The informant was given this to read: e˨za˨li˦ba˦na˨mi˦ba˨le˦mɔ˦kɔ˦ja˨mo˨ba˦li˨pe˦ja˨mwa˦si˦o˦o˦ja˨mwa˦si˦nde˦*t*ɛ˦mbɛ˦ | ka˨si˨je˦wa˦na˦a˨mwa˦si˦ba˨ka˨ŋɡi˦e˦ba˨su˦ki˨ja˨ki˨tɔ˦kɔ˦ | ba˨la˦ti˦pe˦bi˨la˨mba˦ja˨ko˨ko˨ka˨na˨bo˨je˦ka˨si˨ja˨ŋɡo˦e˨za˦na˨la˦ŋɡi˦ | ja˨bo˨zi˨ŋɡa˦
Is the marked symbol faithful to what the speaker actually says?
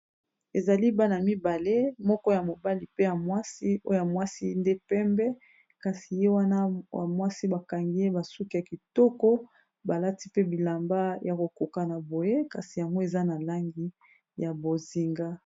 no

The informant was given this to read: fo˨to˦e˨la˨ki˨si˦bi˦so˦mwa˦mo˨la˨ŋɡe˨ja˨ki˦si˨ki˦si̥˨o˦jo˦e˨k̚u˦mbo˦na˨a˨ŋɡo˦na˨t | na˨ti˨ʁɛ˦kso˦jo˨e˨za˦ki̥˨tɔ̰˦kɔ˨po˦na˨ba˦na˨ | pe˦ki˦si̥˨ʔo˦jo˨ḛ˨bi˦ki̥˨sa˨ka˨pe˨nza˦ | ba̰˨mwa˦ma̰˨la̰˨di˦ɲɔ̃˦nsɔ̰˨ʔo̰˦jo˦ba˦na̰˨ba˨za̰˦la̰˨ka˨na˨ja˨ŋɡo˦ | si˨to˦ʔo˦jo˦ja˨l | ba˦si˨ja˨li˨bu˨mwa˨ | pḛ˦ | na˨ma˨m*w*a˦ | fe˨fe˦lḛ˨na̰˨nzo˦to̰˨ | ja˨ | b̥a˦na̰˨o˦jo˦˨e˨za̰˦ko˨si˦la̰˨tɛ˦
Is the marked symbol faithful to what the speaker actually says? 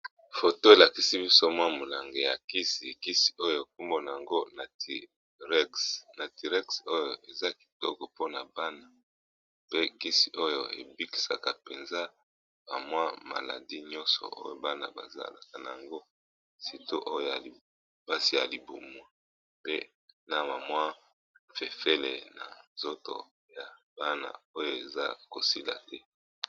yes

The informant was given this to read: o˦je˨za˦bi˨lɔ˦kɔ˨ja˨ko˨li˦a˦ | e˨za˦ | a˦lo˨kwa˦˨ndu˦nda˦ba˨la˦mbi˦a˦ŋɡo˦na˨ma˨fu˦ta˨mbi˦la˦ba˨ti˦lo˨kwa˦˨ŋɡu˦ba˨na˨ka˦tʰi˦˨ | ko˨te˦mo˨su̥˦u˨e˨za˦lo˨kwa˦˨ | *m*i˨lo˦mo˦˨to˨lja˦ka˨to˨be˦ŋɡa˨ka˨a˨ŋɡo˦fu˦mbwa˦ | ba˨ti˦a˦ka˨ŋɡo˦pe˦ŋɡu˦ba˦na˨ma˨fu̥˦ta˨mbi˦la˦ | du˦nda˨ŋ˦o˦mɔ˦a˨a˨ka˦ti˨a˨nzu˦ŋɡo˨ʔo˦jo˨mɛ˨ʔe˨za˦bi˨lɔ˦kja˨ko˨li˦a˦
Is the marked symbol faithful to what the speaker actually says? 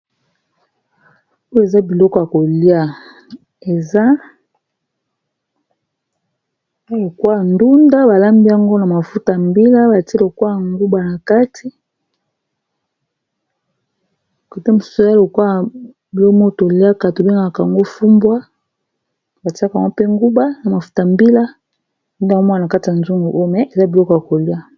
no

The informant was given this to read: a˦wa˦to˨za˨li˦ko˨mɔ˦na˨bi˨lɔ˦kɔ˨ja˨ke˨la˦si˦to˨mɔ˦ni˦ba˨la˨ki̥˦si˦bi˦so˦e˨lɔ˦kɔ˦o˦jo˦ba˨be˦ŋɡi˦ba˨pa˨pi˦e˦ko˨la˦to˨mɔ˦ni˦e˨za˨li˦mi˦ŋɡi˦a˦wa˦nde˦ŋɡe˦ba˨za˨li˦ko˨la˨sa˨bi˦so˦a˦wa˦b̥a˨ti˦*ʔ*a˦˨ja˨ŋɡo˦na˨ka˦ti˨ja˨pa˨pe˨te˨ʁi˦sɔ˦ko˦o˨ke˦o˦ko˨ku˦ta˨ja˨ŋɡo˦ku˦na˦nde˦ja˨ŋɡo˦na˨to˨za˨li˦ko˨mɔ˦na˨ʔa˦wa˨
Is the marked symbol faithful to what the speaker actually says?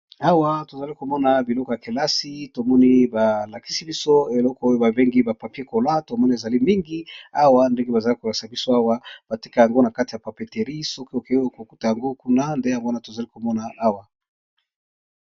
no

